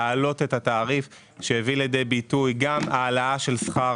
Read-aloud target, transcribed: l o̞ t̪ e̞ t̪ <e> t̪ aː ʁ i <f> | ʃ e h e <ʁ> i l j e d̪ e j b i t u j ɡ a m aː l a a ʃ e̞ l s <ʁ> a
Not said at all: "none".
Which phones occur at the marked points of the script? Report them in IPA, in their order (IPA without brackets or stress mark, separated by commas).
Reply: a, f, v, χ